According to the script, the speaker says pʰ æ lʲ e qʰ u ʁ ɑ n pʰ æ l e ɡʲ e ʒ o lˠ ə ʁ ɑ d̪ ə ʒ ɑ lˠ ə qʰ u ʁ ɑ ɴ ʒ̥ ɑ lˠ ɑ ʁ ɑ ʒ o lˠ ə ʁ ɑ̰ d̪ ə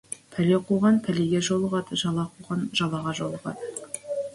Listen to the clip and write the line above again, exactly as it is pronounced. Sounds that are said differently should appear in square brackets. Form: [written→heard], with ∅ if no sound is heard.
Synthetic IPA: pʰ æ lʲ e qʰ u ʁ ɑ n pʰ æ l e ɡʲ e ʒ o lˠ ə ʁ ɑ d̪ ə ʒ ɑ lˠ [ə→ɑ] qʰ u ʁ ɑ [ɴ→n] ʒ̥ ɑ lˠ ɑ ʁ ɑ ʒ o lˠ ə ʁ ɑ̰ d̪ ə